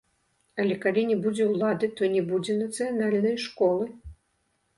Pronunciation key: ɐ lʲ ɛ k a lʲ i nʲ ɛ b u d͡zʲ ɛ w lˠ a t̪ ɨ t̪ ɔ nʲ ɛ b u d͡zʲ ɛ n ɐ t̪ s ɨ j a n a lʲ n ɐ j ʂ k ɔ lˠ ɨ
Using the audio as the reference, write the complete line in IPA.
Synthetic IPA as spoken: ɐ lʲ ɛ k a lʲ i nʲ ɛ b u d͡zʲ ɛ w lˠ a d̪ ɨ t̪ ɔ nʲ ɛ b u d͡zʲ ɛ n ɐ t̪ s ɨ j a n a lʲ n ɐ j ʂ k ɔ lˠ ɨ